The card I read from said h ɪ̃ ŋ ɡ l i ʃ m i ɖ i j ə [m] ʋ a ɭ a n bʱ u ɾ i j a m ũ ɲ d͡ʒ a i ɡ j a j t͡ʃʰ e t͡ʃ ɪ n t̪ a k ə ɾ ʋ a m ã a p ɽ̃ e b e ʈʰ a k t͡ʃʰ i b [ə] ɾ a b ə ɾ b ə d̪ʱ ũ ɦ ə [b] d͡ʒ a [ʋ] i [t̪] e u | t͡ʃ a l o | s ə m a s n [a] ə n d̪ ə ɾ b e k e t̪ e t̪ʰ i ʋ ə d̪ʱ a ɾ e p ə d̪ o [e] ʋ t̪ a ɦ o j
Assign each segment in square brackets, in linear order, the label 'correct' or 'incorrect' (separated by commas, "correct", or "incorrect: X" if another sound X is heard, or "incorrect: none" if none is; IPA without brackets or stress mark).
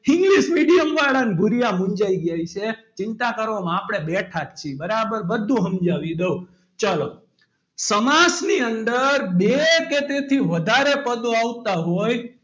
correct, correct, incorrect: m, correct, incorrect: d̪, incorrect: i, incorrect: a